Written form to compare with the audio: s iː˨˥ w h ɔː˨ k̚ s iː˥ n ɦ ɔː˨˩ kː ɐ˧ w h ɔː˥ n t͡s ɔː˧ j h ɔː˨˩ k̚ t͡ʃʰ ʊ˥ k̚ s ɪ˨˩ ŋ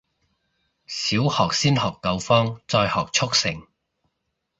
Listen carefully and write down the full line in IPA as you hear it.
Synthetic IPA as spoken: s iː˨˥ w h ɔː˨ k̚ s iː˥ n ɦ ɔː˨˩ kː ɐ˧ w f ɔː˥ ŋ t͡s ɔː˧ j h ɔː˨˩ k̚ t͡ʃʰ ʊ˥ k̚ s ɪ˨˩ ŋ

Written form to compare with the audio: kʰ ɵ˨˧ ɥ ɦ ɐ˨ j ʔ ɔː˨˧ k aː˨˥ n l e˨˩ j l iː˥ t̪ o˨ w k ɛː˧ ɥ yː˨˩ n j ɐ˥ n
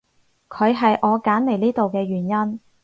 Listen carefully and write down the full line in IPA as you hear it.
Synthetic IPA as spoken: kʰ ɵ˨˧ ɥ ɦ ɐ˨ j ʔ ɔː˨˧ k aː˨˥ n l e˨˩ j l iː˥ t̪ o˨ w k ɛː˧ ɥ yː˨˩ n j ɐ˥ n

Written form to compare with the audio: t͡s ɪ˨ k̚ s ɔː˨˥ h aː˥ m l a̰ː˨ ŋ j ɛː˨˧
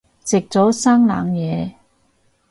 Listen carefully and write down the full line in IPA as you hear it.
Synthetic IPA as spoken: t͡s ɪ˨ k̚ t͡s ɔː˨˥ s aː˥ ŋ l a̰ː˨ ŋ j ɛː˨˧

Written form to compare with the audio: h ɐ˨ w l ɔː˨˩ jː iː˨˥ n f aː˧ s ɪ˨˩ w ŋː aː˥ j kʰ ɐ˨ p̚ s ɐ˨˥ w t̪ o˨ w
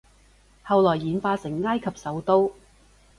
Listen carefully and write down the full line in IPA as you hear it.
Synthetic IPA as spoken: h ɐ˨ w l ɔː˨˩ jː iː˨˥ n f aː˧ s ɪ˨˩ ŋː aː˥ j kʰ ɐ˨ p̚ s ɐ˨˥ w t̪ o˥ w

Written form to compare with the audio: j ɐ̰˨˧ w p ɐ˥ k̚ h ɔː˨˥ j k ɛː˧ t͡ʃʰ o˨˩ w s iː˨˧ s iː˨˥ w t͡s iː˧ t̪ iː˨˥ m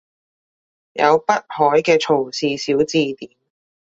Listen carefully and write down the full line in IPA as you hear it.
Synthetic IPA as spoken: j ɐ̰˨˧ w p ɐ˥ t̚ h ɔː˨˥ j k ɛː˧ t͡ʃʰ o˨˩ w s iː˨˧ s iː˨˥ w t͡s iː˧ t̪ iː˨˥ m

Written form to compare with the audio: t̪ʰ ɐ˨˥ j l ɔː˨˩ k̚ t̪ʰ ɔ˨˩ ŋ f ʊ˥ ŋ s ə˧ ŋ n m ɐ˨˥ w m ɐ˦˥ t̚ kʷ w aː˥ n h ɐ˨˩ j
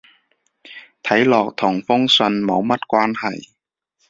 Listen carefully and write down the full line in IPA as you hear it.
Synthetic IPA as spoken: t̪ʰ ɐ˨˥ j l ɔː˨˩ k̚ t̪ʰ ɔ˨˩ ŋ f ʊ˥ ŋ s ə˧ n m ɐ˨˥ w m ɐ˦˥ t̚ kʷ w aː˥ n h ɐ˨˩ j

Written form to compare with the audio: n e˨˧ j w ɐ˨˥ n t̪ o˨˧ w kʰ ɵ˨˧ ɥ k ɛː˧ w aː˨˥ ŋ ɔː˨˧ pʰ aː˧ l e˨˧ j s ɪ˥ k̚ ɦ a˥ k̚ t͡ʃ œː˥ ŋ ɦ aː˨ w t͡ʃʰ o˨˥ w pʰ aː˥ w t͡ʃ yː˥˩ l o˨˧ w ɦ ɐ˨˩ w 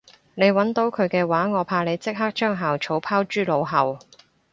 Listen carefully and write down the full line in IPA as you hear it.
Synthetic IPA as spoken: n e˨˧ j w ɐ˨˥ n t̪ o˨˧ w kʰ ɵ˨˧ ɥ k ɛː˧ w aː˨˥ ŋ ɔː˨˧ pʰ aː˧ l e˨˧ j t͡s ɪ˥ k̚ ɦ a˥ k̚ t͡ʃ œː˥ ŋ ɦ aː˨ w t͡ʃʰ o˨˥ w pʰ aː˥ w t͡ʃ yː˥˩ l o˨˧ w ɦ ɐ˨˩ w

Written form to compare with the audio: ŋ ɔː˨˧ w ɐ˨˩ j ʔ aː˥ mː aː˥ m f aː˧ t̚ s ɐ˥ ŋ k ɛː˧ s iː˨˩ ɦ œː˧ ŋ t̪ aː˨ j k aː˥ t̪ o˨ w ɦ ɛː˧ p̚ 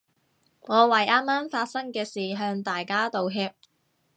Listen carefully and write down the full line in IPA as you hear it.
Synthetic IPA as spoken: ŋ ɔː˨˧ w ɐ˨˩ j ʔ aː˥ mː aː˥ m f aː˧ t̚ s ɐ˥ ŋ k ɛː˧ s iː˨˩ ɦ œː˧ ŋ t̪ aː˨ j k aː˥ t̪ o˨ w ɦ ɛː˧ p̚

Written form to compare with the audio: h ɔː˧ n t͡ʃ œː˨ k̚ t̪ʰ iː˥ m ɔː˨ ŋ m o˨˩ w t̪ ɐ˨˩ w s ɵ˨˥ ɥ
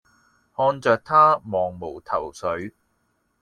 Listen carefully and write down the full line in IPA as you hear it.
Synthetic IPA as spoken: h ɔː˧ n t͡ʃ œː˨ k̚ t̪ʰ aː˥ m ɔː˨ ŋ m o˨˩ w t̪ʰ ɐ˨˩ w s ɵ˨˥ ɥ

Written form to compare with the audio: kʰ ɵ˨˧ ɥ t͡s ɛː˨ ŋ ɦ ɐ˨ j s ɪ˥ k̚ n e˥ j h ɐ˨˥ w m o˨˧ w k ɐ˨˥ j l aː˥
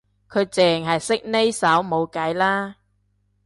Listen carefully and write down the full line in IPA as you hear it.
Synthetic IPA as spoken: kʰ ɵ˨˧ ɥ t͡s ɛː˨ ŋ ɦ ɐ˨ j s ɪ˥ k̚ n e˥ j s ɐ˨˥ w m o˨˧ w k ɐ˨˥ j l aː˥

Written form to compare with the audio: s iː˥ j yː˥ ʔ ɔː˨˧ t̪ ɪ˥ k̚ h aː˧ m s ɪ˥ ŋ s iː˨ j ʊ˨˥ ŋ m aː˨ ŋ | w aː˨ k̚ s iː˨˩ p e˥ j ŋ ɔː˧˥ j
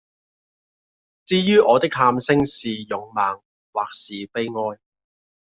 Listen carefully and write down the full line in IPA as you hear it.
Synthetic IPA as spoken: t͡s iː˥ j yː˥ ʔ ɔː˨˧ t̪ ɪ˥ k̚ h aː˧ m s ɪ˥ ŋ s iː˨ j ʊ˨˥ ŋ m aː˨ ŋ | w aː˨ k̚ s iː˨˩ p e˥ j ŋ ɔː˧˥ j

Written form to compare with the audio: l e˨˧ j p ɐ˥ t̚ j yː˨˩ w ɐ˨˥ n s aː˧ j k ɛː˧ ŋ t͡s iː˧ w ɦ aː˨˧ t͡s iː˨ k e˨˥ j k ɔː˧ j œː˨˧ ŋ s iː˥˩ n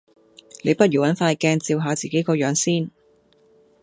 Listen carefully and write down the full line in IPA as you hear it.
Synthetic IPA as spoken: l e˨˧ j p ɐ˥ t̚ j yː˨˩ w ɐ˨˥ n f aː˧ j k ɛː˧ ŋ t͡s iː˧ w ɦ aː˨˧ t͡s iː˨ k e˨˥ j k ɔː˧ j œː˨˧ ŋ s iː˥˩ n

